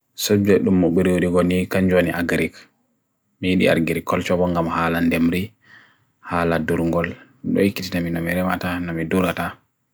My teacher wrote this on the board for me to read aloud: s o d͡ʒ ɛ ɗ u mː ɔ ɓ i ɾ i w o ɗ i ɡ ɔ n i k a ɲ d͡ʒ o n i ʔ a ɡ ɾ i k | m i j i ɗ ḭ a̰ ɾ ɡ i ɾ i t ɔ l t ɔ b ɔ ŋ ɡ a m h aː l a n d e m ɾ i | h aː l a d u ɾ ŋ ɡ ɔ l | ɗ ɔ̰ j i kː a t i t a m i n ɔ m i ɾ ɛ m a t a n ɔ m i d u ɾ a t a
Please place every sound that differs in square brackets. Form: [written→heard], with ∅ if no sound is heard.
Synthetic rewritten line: s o d͡ʒ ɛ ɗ u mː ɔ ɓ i ɾ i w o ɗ i ɡ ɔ n i k a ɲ d͡ʒ o n i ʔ a ɡ ɾ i k | m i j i ɗ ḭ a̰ ɾ ɡ i ɾ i [t→k] ɔ l [t→t͡ʃ] ɔ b ɔ ŋ ɡ a m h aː l a n d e m ɾ i | h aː l a d u ɾ ŋ ɡ ɔ l | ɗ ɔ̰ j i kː [a→i] t i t a m i n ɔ m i ɾ ɛ m a t a n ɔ m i d u ɾ a t a